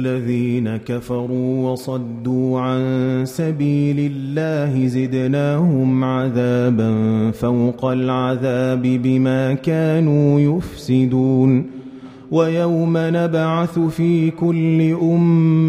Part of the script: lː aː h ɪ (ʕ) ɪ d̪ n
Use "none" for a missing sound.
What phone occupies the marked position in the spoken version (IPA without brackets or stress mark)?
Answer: z